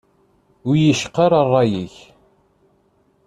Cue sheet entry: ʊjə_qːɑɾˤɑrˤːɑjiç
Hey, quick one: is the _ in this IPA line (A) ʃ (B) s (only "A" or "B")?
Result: A